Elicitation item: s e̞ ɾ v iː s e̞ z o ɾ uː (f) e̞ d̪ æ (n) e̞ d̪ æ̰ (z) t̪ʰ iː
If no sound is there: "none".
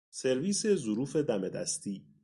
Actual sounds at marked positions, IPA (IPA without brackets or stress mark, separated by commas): f, m, s